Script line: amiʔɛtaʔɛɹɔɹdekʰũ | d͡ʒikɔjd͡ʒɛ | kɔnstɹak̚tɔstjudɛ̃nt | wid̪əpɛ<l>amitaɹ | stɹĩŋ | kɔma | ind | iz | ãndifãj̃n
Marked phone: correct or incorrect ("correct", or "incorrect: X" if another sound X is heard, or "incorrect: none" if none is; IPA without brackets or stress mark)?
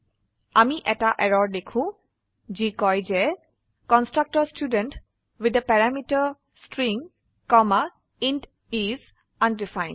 incorrect: ɹ